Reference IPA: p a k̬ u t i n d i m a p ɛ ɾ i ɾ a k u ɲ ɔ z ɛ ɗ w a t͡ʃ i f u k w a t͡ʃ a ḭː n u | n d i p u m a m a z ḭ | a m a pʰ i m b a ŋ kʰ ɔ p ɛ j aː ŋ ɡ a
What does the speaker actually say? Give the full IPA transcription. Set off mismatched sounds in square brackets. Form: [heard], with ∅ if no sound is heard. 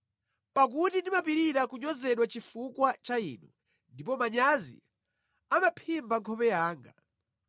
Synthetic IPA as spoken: p a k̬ u t i n d i m a p [i] ɾ i ɾ a k u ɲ ɔ z ɛ ɗ w a t͡ʃ i f u k w a t͡ʃ a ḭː n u | n d i p [ɔ] m a [ɲ] a z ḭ | a m a pʰ i m b a ŋ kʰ ɔ p ɛ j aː ŋ ɡ a